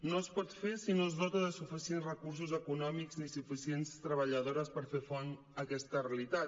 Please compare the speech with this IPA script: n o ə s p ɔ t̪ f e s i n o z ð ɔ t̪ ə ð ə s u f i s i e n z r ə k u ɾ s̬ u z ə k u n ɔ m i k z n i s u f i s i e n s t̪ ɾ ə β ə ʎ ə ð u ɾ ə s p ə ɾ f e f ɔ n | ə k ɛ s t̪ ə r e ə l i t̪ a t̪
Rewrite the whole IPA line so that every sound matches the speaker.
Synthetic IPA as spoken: n o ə s p ɔ t̪ f e s i n o z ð ɔ t̪ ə ð ə s u f i s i e n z r ə k u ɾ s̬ u z ə k u n ɔ m i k z n i s u f i s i e n s t̪ ɾ ə β ə ʎ ə ð o ɾ ə s p ə ɾ f e f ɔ n | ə k ɛ s t̪ ə r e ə l i t̪ a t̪